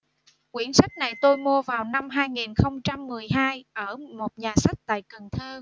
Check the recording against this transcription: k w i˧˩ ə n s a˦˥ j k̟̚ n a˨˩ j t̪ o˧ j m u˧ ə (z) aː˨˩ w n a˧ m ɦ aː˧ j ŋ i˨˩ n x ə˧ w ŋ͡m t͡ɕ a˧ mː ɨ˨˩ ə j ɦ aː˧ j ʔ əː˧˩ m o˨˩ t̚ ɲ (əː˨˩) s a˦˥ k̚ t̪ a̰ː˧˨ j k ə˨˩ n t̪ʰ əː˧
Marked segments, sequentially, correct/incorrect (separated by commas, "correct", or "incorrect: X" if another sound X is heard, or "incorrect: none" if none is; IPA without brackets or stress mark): incorrect: v, incorrect: aː˨˩